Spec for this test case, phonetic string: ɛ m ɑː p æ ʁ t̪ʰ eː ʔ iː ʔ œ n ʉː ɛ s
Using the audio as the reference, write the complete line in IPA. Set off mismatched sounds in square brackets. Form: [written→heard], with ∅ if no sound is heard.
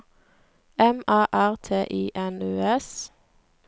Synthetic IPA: ɛ m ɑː [p→ʔ] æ ʁ t̪ʰ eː ʔ iː ʔ [œ→ɛ] n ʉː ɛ s